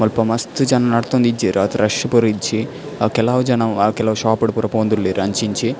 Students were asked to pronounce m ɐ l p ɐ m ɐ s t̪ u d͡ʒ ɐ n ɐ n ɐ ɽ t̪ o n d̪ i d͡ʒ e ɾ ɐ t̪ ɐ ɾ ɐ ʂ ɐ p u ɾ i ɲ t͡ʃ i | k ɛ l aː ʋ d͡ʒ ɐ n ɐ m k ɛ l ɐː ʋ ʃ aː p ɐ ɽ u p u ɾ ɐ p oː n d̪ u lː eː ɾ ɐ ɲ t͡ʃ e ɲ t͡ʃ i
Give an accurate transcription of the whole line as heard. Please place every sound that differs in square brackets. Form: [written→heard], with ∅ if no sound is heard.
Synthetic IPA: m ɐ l p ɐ m ɐ s t̪ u d͡ʒ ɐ n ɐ n ɐ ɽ t̪ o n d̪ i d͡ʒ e ɾ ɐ t̪ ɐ ɾ ɐ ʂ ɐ p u ɾ i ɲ t͡ʃ i | k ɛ l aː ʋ d͡ʒ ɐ n ɐ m k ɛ l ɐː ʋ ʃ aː p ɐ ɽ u p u ɾ ɐ p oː n d̪ u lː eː ɾ ɐ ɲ t͡ʃ [e→i] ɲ t͡ʃ i